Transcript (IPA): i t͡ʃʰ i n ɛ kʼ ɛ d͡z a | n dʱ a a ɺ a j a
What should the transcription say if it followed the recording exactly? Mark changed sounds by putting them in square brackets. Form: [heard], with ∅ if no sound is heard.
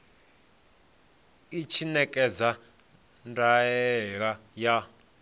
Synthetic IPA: i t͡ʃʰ i n ɛ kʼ ɛ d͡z a | n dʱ a [ɛ] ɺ a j a